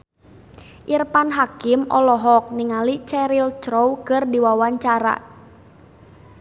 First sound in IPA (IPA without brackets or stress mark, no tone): ʔ